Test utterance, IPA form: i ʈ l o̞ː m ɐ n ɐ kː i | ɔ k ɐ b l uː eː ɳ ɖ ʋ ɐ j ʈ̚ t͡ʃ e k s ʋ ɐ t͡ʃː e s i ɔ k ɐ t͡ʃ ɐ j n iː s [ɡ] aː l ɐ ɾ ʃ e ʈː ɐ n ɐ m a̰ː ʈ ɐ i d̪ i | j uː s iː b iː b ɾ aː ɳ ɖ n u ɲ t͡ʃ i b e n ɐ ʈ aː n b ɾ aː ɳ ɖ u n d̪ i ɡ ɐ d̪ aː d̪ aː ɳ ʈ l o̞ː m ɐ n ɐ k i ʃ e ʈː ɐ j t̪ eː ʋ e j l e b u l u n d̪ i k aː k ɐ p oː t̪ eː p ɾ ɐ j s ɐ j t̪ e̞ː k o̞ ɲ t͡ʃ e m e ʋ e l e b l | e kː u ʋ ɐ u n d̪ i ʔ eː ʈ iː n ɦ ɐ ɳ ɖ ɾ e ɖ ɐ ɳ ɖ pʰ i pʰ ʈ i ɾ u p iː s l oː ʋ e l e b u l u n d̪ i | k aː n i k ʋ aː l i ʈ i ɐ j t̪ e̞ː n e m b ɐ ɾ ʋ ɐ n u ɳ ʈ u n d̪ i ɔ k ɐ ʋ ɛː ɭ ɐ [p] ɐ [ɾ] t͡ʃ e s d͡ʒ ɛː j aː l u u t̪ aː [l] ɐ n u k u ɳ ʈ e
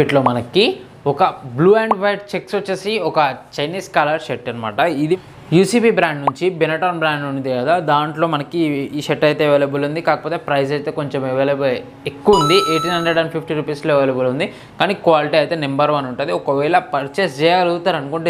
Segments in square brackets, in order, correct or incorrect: incorrect, correct, correct, incorrect

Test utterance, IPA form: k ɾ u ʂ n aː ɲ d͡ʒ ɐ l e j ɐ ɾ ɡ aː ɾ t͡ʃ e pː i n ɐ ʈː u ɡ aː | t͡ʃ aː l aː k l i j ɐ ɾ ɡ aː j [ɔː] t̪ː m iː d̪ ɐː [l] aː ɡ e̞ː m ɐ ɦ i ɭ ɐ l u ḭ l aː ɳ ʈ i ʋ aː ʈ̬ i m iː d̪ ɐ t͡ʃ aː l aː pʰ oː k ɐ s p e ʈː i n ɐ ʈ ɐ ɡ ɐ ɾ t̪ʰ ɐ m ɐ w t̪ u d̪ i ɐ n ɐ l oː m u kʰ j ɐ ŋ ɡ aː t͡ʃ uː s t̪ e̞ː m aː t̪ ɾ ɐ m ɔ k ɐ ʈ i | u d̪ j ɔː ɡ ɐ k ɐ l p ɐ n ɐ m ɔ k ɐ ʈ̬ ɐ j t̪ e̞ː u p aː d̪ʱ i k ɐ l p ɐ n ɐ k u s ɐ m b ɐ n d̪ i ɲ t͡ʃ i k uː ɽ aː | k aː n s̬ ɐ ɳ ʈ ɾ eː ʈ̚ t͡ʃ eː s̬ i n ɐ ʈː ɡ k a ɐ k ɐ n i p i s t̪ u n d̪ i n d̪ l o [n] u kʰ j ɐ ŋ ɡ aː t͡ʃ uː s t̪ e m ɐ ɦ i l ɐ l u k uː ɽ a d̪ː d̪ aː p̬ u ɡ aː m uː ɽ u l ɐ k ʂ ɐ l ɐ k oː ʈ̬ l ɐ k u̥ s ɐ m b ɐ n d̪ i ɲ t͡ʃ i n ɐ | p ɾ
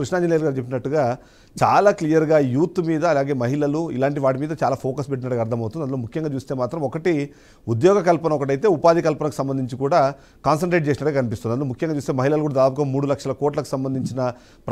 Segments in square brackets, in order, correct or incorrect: incorrect, correct, incorrect

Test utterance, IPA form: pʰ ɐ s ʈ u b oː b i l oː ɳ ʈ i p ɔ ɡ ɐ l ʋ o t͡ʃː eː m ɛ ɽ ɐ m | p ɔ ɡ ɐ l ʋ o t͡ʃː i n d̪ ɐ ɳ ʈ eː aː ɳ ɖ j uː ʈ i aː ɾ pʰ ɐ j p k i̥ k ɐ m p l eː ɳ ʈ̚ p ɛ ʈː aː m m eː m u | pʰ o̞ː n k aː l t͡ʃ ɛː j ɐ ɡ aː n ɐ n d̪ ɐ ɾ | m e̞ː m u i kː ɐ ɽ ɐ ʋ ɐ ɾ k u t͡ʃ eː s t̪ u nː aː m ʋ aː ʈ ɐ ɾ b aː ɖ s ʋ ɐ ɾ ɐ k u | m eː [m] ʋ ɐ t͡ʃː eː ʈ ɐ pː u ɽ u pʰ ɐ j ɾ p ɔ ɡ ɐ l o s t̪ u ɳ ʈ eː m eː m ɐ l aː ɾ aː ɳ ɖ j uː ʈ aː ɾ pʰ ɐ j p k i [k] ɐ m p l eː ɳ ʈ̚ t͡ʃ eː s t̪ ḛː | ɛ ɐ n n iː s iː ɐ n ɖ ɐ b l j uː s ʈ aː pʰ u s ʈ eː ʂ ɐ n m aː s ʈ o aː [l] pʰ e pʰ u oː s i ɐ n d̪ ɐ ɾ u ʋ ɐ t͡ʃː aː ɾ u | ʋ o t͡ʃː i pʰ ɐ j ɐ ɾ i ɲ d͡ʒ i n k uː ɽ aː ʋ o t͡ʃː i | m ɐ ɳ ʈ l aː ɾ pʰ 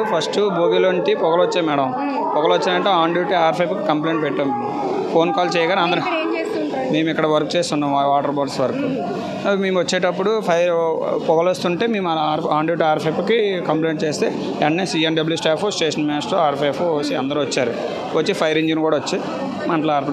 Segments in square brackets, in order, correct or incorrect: correct, correct, incorrect

